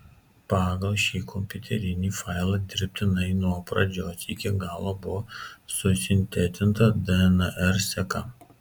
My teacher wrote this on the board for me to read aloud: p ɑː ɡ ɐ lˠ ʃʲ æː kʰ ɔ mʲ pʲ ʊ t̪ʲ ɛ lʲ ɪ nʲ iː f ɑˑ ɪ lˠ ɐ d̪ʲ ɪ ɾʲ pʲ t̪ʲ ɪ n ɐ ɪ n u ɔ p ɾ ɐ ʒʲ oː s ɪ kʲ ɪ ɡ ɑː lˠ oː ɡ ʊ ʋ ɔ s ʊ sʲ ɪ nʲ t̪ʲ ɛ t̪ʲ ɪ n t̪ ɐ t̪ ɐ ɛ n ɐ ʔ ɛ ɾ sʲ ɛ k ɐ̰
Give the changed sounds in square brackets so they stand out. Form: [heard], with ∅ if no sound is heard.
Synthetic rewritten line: p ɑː ɡ ɐ lˠ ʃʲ [iː] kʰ ɔ mʲ pʲ ʊ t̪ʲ ɛ [ɾʲ] ɪ nʲ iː f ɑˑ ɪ lˠ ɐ d̪ʲ ɪ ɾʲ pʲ t̪ʲ ɪ n ɐ ɪ n u ɔ p ɾ ɐ [d͡ʒʲ] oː s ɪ kʲ ɪ ɡ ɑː lˠ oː [b] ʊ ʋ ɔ s ʊ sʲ ɪ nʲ t̪ʲ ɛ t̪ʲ ɪ n t̪ ɐ [d̪] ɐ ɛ n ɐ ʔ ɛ ɾ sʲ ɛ k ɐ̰